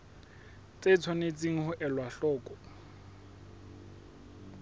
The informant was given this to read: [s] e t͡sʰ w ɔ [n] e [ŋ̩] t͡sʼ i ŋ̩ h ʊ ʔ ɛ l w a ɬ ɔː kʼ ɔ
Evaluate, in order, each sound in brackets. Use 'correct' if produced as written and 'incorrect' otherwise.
incorrect, correct, incorrect

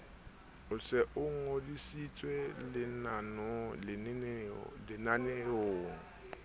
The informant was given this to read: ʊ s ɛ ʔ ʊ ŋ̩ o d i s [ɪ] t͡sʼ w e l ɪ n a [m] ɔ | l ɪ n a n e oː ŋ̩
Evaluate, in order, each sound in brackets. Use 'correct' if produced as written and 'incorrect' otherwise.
incorrect, incorrect

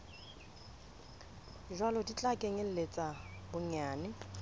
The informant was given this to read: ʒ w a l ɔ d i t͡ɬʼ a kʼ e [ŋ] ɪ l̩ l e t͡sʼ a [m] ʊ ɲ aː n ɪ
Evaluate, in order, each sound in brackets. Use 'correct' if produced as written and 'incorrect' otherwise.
correct, incorrect

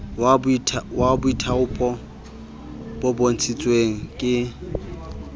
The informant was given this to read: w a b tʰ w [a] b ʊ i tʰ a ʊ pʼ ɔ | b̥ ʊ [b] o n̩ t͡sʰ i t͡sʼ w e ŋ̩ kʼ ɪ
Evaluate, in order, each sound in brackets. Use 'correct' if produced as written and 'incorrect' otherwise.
correct, correct

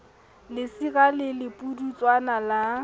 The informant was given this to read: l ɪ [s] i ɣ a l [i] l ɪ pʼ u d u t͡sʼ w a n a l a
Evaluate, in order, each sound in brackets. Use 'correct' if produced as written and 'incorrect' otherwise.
correct, incorrect

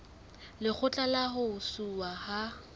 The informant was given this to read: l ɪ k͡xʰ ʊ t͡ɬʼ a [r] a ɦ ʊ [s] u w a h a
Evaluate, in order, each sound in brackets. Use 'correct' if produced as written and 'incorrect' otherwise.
incorrect, correct

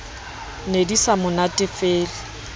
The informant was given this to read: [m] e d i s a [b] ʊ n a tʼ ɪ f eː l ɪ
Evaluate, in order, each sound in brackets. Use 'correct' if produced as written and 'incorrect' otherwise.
incorrect, incorrect

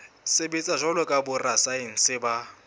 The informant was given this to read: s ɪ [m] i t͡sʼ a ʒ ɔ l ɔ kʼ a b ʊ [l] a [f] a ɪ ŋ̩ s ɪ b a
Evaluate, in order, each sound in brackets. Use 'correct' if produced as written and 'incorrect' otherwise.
incorrect, incorrect, incorrect

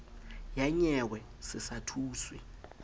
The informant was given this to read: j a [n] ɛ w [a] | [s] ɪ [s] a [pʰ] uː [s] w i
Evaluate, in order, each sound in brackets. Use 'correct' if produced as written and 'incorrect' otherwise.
incorrect, incorrect, correct, correct, incorrect, correct

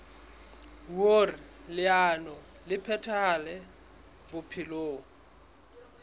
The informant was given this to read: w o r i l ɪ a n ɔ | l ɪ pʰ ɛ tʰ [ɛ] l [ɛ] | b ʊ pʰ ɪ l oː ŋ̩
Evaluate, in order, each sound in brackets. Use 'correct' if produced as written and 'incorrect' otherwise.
incorrect, correct

